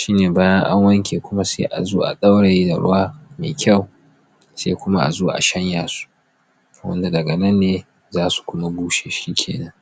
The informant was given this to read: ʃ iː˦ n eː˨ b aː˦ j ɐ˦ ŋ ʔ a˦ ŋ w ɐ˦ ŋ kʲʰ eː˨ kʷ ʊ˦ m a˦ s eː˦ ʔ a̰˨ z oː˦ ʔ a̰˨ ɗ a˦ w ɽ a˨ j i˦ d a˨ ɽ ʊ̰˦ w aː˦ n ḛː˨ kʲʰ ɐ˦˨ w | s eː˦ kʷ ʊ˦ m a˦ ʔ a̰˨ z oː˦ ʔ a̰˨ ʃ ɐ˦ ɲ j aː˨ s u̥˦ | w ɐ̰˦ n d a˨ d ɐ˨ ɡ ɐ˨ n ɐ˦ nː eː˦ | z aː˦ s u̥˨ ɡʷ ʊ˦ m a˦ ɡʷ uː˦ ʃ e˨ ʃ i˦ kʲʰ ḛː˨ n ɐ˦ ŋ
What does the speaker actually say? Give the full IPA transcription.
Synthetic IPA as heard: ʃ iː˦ n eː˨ b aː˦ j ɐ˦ ŋ ʔ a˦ ŋ w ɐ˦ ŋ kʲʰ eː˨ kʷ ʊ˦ m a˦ s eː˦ ʔ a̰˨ z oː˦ ʔ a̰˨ ɗ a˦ w ɽ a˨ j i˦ d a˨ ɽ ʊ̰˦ w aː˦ m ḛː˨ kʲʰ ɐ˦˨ w | s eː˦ kʷ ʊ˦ m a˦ ʔ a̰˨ z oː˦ ʔ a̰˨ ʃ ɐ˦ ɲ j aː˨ s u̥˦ | w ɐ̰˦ n d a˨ d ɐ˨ ɡ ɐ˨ n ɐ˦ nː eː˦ | z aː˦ s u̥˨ kʷ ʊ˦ m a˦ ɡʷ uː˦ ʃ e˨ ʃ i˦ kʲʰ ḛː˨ n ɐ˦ ŋ